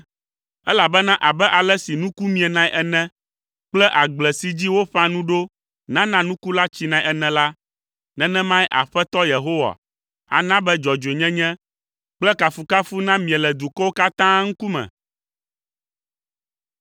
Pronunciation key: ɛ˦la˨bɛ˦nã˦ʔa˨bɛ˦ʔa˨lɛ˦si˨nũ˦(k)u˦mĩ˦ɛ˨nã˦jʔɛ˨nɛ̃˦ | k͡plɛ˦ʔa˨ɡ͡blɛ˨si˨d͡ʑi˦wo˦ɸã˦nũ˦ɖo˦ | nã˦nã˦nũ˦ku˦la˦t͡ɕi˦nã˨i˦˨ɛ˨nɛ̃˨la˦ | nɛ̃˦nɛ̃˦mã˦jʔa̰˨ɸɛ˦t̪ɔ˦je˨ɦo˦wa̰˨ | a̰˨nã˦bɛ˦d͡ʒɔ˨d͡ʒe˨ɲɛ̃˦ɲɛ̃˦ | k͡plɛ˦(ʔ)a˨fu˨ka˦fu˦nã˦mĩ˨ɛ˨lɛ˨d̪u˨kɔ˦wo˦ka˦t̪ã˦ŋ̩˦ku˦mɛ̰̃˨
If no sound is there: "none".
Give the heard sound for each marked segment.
k, k

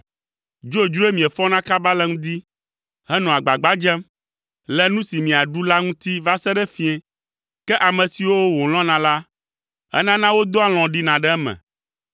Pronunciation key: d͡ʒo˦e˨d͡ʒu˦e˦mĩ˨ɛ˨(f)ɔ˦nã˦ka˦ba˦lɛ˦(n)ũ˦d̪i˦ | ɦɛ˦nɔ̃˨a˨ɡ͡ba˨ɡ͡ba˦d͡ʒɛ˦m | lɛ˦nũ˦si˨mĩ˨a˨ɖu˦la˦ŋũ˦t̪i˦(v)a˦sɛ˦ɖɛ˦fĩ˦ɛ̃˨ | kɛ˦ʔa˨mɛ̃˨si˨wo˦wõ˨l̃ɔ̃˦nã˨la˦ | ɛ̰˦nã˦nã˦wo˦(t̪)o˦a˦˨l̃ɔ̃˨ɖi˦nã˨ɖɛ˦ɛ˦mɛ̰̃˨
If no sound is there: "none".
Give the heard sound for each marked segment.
f, ŋ, v, d̪

